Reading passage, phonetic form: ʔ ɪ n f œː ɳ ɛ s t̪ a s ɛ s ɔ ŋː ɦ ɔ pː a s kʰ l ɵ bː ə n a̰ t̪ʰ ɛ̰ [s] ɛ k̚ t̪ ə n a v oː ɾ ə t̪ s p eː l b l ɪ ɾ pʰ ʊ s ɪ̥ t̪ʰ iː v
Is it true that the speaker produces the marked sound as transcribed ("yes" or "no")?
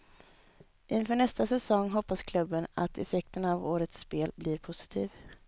no